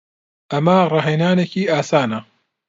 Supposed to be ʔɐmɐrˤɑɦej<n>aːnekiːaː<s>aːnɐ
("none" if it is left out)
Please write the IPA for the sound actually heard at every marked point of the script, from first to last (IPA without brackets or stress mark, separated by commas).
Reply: n, s